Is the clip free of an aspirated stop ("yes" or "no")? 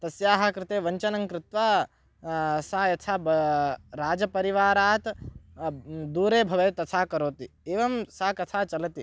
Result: no